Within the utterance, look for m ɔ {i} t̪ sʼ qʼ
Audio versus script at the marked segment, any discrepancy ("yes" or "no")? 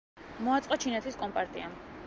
yes